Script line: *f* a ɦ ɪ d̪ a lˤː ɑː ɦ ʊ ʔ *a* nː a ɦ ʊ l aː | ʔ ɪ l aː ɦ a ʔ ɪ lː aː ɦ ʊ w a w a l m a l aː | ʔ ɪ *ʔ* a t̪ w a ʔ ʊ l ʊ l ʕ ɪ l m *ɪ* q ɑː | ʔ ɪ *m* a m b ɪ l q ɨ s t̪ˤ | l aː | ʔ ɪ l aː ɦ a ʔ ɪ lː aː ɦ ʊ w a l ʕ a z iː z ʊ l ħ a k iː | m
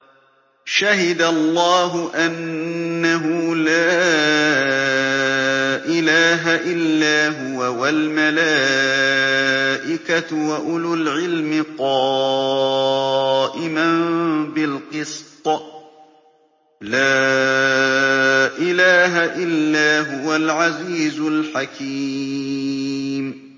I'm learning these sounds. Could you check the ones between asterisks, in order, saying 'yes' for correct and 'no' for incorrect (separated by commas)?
no, yes, no, yes, yes